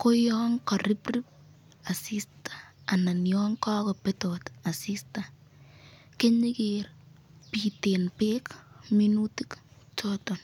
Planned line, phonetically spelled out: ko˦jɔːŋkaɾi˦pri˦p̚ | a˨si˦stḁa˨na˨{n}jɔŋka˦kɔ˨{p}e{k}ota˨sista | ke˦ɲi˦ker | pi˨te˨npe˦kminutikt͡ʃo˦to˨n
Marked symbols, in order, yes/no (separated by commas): yes, yes, no